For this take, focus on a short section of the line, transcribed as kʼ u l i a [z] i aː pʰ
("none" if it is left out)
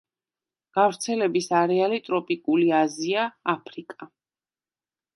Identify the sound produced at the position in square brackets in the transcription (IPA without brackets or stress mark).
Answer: z